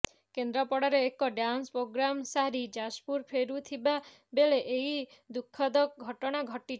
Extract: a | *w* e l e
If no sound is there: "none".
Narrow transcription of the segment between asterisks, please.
b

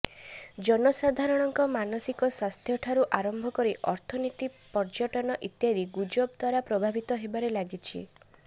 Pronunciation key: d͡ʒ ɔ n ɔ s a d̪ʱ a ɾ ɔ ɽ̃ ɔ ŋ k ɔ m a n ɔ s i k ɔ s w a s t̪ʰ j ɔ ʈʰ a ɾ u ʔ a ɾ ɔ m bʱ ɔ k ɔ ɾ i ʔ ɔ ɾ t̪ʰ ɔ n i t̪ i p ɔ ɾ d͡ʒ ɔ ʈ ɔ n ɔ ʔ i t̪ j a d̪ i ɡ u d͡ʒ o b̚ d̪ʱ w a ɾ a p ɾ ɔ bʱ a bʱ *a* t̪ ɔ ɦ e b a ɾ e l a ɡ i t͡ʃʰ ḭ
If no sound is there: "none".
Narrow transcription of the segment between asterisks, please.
i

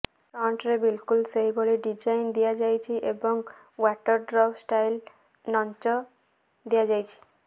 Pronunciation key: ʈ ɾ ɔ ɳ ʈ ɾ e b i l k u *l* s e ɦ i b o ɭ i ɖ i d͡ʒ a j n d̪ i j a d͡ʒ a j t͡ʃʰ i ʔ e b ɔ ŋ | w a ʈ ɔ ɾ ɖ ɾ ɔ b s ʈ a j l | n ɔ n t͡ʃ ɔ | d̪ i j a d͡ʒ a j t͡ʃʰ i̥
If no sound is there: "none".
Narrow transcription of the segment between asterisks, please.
l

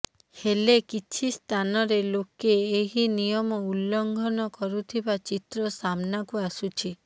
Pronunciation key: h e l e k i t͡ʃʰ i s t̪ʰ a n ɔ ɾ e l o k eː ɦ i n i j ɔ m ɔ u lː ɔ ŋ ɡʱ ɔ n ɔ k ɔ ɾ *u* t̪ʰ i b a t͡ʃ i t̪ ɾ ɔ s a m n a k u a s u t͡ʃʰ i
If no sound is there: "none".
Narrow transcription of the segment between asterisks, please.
u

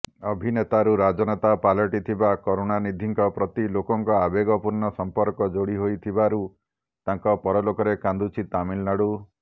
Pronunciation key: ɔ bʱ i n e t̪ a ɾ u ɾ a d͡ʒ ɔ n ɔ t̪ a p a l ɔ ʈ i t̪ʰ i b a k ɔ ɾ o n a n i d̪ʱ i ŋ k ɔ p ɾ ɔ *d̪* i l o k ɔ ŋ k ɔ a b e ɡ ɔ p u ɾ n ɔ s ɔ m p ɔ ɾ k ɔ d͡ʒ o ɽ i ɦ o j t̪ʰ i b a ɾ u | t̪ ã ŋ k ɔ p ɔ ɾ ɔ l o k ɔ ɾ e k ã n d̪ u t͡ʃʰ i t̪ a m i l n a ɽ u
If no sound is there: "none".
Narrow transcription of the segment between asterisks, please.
t̪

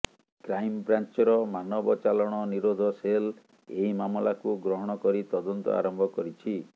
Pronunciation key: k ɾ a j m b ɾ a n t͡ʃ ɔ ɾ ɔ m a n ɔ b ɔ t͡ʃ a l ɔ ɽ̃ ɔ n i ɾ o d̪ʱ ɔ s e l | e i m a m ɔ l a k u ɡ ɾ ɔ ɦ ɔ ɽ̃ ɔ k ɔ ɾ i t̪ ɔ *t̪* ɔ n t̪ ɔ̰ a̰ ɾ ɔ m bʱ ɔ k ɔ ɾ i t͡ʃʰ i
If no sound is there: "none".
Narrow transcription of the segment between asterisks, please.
d̪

